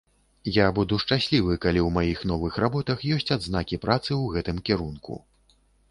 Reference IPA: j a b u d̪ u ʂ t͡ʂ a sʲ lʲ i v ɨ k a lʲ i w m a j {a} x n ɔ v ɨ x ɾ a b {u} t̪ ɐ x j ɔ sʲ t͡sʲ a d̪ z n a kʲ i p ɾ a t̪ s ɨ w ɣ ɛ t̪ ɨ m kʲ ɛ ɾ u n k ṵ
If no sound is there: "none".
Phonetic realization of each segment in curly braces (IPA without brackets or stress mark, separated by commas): i, ɔ